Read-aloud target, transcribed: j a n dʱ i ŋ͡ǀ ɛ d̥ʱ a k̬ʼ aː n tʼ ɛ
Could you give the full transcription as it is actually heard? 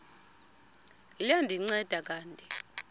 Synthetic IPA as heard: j a n dʱ i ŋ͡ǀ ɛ d̥ʱ a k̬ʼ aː n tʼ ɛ